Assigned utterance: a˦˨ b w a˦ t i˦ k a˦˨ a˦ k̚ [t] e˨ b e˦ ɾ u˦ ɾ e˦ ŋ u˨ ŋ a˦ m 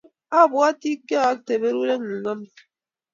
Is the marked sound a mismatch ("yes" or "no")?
no